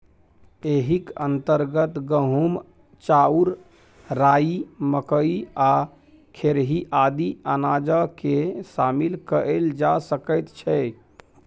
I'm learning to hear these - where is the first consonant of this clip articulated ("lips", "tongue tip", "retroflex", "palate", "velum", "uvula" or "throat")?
throat